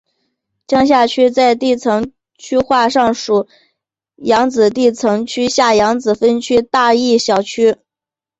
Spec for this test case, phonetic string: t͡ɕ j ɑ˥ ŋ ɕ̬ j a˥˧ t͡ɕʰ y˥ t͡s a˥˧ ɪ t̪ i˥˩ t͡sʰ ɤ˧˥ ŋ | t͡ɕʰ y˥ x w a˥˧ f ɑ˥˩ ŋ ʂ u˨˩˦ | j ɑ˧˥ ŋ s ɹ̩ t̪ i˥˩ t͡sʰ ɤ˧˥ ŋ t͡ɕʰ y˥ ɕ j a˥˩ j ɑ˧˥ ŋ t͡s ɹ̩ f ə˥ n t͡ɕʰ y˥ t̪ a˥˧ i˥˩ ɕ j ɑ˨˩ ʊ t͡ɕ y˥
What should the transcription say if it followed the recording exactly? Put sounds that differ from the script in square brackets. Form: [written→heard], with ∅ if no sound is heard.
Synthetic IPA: t͡ɕ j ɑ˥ ŋ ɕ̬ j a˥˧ t͡ɕʰ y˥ t͡s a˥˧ ɪ t̪ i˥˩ t͡sʰ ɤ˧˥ ŋ | t͡ɕʰ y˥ x w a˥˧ [f→ʂ] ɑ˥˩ ŋ ʂ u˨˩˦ | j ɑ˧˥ ŋ [s→t͡s] ɹ̩ t̪ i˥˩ t͡sʰ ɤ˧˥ ŋ t͡ɕʰ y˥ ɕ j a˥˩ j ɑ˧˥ ŋ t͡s ɹ̩ f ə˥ n t͡ɕʰ y˥ t̪ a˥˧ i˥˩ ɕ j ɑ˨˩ ʊ [t͡ɕ→t͡ɕʰ] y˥